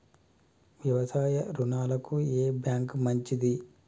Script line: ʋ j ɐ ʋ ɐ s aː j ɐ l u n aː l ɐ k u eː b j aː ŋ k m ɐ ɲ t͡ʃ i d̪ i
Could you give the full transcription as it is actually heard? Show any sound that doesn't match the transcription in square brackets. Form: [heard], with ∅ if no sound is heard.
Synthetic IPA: ʋ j ɐ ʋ ɐ s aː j ɐ [ɾ] u n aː l ɐ k u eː b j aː ŋ k m ɐ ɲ t͡ʃ i d̪ i

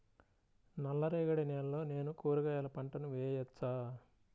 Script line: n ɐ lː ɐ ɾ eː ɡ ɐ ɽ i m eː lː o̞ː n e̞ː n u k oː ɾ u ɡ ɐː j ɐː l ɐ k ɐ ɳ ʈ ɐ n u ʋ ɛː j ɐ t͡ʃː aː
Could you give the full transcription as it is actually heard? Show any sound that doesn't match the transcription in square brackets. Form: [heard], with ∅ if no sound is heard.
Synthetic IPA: n ɐ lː ɐ ɾ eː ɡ ɐ ɽ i [n] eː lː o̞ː n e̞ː n u k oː ɾ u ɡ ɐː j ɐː l ɐ [p] ɐ ɳ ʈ ɐ n u ʋ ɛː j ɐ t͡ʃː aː

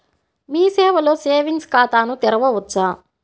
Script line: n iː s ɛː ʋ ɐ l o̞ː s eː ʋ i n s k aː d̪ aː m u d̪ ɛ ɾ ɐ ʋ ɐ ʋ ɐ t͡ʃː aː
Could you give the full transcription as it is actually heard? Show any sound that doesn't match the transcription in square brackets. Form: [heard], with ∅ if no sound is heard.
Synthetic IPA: [m] iː s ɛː ʋ ɐ l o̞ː s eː ʋ i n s k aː [t̪] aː [n] u [t̪] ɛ ɾ ɐ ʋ ɐ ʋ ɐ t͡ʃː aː

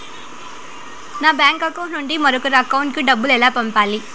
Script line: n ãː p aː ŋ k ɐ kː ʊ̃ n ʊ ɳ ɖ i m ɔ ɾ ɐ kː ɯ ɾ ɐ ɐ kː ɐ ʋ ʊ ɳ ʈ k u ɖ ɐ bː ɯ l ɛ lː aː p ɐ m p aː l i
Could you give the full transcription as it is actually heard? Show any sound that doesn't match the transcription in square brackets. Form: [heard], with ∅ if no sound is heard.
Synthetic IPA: n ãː [b] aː ŋ k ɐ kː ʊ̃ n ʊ ɳ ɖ i m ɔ ɾ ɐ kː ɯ ɾ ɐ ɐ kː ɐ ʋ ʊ ɳ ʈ k [ɯ] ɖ ɐ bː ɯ l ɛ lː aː p ɐ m p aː l i

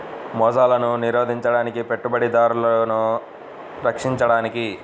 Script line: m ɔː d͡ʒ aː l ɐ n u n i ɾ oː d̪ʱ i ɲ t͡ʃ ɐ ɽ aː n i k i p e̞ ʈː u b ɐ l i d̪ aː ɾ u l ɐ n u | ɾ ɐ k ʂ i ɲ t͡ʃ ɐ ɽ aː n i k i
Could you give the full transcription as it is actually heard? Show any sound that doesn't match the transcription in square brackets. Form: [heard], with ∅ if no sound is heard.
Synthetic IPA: m ɔː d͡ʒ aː l ɐ n u n i ɾ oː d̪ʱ i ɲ t͡ʃ ɐ ɽ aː n i k i p e̞ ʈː u b ɐ [ɽ] i d̪ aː ɾ u l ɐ n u | ɾ ɐ k ʂ i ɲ t͡ʃ ɐ ɽ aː n i k i

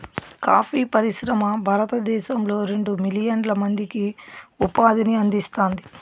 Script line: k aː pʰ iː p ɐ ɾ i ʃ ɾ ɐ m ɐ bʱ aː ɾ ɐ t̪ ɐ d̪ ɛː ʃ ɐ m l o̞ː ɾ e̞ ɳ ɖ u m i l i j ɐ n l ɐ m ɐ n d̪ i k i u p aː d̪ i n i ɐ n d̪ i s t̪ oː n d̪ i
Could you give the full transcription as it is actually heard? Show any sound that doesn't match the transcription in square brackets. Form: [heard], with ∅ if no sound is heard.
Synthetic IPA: k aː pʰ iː p ɐ ɾ i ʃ ɾ ɐ m ɐ bʱ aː ɾ ɐ t̪ ɐ d̪ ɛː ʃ ɐ m l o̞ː ɾ e̞ ɳ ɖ u m i l i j ɐ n l ɐ m ɐ n d̪ i k i u p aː d̪ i n i ɐ n d̪ i s t̪ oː n d̪ i

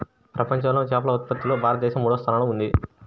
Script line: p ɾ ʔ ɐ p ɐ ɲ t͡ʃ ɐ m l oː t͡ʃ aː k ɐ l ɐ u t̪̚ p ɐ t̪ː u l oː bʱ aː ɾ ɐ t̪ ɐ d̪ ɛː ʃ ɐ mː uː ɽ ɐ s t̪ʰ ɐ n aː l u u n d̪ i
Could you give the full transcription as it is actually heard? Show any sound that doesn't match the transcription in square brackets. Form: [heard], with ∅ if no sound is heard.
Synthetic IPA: p ɾ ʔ ɐ p ɐ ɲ t͡ʃ ɐ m l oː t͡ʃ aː [p] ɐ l ɐ u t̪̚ p ɐ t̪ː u l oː bʱ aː ɾ ɐ t̪ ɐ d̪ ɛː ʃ ɐ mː uː ɽ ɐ s t̪ʰ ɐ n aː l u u n d̪ i

